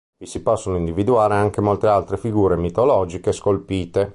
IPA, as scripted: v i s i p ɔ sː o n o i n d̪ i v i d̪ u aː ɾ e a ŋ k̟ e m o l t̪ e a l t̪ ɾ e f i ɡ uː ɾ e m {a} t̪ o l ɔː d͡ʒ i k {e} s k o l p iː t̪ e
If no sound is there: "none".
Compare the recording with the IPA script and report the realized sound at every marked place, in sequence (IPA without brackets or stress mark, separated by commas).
i, e